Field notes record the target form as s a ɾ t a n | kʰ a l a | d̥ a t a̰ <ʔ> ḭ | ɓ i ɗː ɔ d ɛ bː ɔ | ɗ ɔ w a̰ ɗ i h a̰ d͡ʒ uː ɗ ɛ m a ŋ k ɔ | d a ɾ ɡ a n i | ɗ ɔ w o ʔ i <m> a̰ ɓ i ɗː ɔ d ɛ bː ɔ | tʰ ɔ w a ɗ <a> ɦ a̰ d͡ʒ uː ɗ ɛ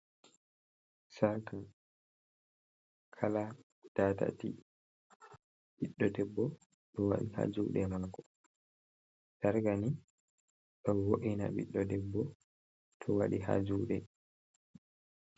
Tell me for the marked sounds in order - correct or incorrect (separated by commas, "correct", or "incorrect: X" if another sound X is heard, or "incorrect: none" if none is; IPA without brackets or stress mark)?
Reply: incorrect: t, incorrect: n, incorrect: i